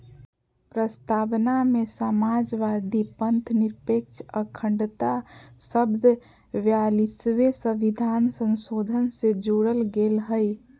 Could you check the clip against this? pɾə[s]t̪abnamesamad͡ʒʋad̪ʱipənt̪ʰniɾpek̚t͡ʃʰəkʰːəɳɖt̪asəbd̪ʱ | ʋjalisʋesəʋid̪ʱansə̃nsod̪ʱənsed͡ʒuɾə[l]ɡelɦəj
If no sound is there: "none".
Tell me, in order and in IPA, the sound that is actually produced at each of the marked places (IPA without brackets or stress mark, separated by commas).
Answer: s, l